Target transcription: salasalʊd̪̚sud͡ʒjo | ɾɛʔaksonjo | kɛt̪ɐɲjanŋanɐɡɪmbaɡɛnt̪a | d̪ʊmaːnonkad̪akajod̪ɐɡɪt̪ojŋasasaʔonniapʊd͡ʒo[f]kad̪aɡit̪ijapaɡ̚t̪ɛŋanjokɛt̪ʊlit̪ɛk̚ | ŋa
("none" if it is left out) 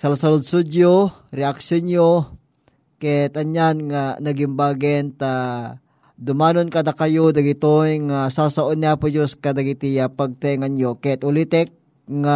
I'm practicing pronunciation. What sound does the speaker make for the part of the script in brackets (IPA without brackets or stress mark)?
s